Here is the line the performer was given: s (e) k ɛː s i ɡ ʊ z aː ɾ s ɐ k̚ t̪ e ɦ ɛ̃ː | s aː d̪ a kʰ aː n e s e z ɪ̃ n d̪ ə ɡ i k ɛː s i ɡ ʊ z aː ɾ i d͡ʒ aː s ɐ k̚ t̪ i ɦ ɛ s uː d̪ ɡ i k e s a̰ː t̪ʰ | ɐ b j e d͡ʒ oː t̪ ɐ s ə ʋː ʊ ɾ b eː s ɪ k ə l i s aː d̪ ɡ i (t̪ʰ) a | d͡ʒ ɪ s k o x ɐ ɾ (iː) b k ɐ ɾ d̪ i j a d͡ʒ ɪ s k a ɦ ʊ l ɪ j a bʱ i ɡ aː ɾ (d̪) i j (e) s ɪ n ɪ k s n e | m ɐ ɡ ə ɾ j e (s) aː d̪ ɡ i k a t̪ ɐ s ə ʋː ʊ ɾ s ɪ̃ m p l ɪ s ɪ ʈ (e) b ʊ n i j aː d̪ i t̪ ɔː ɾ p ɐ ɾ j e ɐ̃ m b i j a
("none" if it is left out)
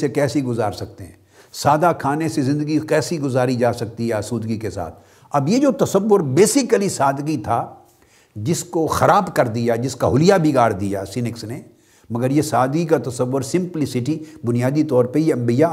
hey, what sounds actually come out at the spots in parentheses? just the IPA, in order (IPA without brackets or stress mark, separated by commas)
e, t̪ʰ, aː, d̪, a, s, i